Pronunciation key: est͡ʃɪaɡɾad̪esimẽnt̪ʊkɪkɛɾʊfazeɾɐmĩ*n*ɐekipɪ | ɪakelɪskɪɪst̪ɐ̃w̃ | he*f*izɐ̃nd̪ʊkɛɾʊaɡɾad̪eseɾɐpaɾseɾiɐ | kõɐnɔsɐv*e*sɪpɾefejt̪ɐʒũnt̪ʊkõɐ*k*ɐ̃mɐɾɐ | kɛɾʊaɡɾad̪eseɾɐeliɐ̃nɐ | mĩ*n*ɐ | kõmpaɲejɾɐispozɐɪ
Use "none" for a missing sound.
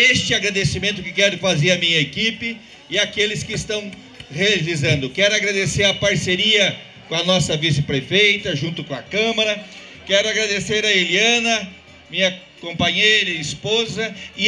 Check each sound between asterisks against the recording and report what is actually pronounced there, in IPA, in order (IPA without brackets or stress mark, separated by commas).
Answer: ɲ, v, i, k, ɲ